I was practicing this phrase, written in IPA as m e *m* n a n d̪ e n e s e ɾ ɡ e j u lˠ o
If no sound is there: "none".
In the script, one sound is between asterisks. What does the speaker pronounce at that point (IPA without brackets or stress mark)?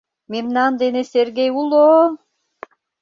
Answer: m